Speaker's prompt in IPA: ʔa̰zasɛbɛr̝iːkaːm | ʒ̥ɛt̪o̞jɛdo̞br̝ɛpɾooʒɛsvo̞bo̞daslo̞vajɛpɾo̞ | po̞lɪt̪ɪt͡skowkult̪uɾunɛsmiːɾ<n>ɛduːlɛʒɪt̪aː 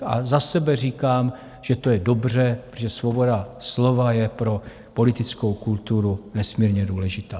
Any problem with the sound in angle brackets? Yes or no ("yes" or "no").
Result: yes